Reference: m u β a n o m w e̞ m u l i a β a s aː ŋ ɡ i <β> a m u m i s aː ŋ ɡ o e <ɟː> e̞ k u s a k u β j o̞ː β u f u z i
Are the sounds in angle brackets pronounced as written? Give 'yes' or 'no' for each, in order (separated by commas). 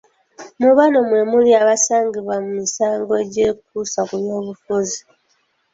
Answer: yes, no